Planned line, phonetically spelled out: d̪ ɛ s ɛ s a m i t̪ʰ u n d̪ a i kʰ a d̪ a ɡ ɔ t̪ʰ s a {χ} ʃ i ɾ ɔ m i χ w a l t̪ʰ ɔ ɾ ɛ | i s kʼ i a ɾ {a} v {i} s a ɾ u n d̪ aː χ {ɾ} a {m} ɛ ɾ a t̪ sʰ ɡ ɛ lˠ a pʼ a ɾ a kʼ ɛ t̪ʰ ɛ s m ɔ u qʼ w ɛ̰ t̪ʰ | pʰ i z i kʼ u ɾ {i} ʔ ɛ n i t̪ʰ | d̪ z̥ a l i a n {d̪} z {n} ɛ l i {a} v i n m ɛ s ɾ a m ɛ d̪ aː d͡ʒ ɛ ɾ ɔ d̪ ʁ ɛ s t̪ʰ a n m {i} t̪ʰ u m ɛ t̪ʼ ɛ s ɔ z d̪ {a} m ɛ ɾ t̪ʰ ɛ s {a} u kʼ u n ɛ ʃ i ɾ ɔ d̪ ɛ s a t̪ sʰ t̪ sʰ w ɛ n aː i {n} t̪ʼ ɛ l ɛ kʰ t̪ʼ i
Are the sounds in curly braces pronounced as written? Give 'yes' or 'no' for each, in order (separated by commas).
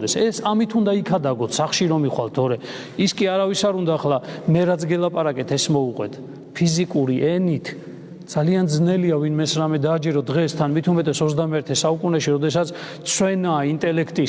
yes, yes, yes, no, yes, yes, yes, yes, yes, yes, yes, yes, yes